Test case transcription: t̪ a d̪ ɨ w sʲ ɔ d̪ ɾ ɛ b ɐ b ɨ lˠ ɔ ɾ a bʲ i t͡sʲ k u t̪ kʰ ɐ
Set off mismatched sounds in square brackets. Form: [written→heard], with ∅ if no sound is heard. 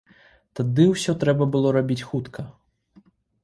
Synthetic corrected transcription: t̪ a d̪ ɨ w sʲ ɔ [d̪→t̪] ɾ ɛ b ɐ b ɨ lˠ ɔ ɾ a bʲ i t͡sʲ [k→x] u t̪ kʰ ɐ